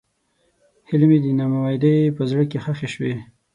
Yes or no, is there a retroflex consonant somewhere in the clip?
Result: yes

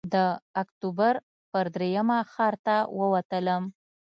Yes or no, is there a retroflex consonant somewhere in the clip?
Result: no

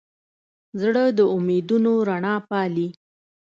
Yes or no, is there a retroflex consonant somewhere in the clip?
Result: yes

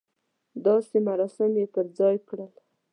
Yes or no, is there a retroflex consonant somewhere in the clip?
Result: yes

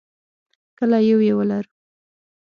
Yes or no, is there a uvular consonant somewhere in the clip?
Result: no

